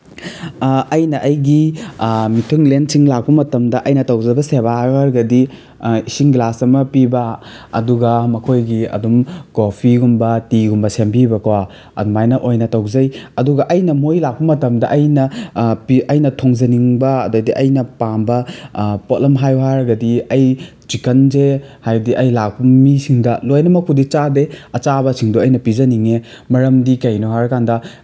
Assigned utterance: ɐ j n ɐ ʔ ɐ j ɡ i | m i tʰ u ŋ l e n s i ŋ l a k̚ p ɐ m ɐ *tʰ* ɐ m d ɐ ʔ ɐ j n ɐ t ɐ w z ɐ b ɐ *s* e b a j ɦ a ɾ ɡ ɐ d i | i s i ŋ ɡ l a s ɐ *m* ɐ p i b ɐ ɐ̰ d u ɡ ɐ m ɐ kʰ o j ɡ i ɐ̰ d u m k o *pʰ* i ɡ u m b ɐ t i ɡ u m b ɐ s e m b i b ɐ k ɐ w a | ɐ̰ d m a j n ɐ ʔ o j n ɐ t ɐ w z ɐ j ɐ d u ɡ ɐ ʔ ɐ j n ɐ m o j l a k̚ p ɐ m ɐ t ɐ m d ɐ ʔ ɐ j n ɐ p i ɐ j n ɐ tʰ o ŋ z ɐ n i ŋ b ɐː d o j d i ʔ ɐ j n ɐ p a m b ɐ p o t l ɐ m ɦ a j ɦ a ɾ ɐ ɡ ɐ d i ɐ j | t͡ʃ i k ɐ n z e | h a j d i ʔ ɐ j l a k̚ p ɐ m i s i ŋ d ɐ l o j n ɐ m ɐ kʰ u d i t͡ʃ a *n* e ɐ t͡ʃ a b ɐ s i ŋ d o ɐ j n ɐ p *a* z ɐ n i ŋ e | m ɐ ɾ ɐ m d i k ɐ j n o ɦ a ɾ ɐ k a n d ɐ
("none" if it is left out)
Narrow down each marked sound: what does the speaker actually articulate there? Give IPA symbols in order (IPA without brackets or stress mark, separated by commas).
t, s, m, pʰ, d, i